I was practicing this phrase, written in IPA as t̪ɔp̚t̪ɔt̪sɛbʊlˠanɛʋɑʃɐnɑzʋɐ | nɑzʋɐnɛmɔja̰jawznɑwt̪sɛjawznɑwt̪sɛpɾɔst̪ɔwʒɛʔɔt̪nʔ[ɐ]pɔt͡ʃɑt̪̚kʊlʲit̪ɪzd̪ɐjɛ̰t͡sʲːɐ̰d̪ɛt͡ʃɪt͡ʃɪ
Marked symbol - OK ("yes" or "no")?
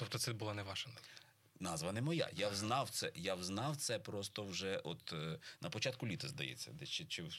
yes